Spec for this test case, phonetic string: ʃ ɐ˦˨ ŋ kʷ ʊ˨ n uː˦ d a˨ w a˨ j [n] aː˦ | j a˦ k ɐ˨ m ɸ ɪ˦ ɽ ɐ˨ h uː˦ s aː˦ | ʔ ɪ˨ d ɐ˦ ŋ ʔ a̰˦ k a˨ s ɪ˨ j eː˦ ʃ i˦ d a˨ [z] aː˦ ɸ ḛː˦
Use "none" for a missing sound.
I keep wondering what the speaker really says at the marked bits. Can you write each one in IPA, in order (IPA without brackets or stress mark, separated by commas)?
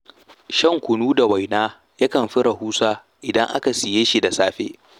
n, s